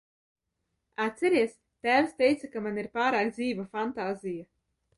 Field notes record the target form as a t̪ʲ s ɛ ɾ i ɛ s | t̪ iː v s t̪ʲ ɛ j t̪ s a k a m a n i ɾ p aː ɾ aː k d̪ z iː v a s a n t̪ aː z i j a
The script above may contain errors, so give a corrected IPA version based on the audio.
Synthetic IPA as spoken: a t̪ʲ s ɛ ɾ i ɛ s | t̪ æː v s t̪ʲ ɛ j t̪ s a k a m a n i ɾ p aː ɾ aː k d̪ z iː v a f a n t̪ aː z i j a